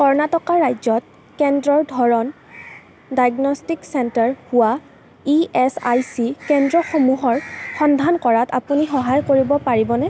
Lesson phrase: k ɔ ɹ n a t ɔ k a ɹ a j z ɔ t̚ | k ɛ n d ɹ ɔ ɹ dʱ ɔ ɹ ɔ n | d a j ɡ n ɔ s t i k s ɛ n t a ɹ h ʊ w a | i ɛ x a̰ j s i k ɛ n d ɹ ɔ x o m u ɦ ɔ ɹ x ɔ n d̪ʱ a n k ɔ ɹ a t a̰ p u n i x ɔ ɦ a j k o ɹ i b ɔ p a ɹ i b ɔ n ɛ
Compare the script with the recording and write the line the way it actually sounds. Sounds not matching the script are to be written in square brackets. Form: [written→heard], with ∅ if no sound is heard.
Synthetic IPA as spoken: k ɔ ɹ n a t ɔ k a ɹ a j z ɔ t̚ | k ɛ n d ɹ ɔ ɹ dʱ ɔ ɹ ɔ n | d a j ɡ n ɔ s t i k s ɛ n t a ɹ h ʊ w a | i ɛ [x→s] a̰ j s i k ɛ n d ɹ ɔ x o m u ɦ ɔ ɹ x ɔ n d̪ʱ a n k ɔ ɹ a t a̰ p u n i x ɔ ɦ a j k o ɹ i b ɔ p a ɹ i b ɔ n ɛ